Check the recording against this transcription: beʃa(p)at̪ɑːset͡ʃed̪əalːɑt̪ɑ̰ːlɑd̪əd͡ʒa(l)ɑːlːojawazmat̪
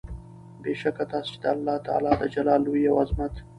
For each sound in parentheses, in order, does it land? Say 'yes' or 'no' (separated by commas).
no, yes